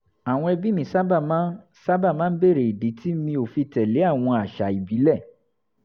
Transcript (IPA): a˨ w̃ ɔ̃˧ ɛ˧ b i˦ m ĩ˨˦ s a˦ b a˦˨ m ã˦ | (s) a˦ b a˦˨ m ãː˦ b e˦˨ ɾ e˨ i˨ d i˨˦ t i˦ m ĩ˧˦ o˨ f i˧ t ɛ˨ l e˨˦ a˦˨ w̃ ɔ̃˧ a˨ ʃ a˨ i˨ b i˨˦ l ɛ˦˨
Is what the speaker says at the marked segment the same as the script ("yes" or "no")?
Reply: yes